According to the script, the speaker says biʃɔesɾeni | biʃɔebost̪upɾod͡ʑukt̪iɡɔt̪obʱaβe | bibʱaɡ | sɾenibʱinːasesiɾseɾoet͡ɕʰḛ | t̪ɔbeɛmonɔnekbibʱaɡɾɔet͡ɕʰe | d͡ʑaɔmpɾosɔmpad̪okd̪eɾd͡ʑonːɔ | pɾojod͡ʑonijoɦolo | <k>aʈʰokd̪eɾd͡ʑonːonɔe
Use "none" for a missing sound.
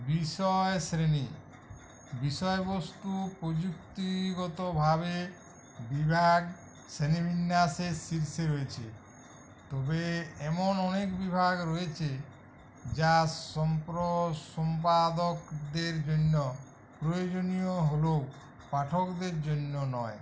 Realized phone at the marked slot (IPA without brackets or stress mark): p